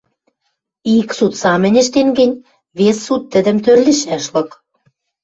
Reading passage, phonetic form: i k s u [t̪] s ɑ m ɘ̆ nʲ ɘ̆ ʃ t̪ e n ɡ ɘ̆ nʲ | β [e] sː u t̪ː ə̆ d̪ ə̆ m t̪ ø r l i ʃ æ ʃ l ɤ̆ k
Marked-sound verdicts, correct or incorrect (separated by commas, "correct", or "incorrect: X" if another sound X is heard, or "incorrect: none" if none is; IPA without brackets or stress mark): correct, correct